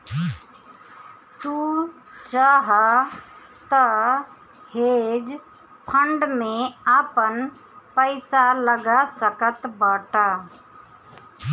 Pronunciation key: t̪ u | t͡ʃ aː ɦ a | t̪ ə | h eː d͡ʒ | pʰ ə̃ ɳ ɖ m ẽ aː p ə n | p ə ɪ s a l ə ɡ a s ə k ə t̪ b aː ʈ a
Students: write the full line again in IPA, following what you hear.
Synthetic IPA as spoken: t̪ u | t͡ʃ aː ɦ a | t̪ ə | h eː d͡ʒ | pʰ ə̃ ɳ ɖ m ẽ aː p ə n | p ə ɪ s a l ə ɡ a s ə k ə t̪ b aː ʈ a